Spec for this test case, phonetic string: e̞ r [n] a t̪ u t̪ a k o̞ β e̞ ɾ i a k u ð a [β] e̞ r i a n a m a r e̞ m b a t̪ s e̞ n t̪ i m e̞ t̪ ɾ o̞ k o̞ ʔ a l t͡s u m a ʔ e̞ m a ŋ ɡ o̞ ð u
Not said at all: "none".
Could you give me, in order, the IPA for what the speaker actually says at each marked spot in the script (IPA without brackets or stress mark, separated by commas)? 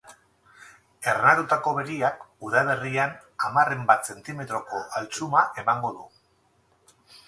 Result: n, β